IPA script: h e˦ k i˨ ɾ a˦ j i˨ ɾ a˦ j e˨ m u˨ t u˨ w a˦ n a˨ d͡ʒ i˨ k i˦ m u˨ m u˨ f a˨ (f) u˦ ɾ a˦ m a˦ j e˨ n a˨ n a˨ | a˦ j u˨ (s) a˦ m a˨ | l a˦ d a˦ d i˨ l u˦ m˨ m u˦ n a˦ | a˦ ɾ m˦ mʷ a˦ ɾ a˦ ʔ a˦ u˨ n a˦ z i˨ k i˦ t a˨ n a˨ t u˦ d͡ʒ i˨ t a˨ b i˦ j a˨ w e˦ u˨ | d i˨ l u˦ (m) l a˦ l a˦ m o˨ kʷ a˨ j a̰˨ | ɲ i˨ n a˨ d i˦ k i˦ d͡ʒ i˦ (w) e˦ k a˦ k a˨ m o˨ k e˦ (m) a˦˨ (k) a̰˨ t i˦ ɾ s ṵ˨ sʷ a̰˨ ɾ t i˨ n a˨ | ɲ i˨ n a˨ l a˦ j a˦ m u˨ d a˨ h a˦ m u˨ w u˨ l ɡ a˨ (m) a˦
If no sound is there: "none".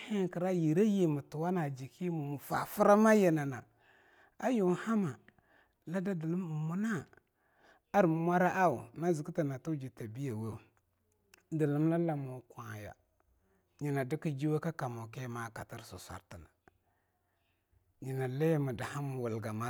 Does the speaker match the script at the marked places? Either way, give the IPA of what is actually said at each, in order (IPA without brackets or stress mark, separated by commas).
f, h, m, w, m, k, m